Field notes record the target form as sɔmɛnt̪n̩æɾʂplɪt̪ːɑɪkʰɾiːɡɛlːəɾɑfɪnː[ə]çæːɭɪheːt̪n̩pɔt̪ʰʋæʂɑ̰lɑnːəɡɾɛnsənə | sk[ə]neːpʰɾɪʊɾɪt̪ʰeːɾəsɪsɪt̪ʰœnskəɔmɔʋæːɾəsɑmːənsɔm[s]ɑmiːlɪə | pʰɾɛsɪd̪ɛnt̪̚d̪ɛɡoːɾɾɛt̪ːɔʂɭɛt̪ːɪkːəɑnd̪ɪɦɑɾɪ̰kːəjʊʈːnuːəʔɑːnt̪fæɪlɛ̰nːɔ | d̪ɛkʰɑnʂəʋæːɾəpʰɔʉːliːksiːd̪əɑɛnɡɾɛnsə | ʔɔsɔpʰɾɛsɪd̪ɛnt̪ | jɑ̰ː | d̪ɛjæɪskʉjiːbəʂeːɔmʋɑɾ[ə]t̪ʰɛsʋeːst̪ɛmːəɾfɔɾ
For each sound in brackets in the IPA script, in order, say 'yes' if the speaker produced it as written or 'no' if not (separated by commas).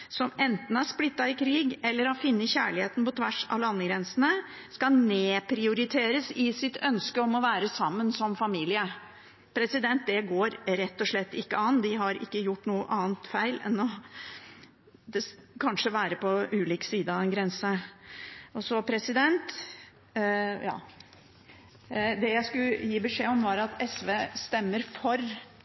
yes, no, no, no